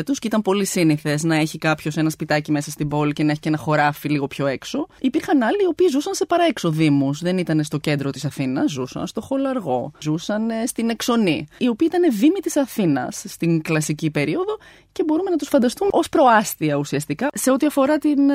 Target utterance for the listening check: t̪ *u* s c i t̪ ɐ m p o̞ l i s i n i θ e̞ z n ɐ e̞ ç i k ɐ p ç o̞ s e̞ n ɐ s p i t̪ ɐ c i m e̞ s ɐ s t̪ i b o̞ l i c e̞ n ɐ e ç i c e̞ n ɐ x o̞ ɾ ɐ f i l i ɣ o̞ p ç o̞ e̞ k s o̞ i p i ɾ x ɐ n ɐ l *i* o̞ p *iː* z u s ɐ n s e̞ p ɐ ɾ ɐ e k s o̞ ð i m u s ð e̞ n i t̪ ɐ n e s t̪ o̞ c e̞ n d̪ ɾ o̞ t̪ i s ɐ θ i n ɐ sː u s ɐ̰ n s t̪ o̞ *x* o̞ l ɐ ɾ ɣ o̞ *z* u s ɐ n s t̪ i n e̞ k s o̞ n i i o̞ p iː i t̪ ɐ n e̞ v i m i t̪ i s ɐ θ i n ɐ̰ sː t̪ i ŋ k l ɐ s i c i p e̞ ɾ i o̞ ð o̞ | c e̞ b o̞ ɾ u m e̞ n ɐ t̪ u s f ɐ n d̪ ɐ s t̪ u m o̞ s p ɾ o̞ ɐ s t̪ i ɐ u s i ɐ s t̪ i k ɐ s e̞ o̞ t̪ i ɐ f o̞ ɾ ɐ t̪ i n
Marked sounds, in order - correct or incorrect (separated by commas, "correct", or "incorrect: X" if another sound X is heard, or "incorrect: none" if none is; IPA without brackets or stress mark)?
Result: correct, incorrect: iː, correct, correct, correct